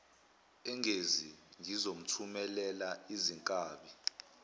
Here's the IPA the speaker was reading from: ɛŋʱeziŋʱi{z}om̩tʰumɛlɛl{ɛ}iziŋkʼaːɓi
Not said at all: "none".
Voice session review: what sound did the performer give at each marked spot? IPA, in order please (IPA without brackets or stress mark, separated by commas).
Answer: z, a